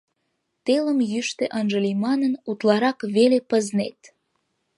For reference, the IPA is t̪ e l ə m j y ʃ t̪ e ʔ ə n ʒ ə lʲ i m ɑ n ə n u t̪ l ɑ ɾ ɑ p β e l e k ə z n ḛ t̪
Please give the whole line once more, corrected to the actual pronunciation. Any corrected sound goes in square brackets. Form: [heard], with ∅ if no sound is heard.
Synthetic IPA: t̪ e l ə m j y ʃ t̪ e ʔ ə n ʒ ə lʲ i m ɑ n ə n u t̪ l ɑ ɾ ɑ [k] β e l e [p] ə z n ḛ t̪